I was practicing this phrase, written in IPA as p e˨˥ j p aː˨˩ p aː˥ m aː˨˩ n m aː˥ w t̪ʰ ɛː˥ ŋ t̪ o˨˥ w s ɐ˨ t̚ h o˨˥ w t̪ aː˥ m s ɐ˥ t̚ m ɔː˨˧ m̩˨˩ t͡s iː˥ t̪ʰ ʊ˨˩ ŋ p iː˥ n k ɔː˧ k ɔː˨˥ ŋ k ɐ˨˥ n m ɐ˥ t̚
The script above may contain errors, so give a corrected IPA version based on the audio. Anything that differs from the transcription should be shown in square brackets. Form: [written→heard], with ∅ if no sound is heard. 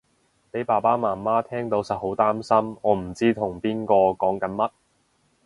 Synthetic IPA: p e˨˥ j p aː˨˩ p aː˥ m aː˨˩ n m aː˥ [w→∅] t̪ʰ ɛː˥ ŋ t̪ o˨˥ w s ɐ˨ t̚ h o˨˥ w t̪ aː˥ m s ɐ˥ [t̚→∅] m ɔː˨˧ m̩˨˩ t͡s iː˥ t̪ʰ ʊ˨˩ ŋ p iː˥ n k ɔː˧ k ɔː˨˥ ŋ k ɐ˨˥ n m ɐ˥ t̚